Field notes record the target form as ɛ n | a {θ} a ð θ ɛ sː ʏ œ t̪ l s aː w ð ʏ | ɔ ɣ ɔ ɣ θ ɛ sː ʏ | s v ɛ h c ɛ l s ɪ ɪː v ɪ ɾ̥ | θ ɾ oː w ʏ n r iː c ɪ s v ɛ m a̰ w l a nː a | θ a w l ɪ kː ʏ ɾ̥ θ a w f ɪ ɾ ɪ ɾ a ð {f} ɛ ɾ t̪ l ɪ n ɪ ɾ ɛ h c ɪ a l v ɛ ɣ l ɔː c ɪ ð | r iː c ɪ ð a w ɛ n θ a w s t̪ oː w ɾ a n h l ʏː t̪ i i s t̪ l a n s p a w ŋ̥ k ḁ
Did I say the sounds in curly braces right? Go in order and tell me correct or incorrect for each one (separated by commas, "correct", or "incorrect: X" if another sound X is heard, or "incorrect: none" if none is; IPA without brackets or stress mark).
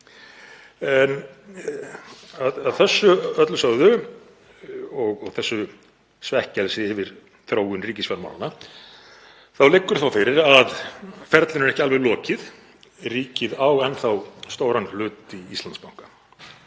incorrect: ð, correct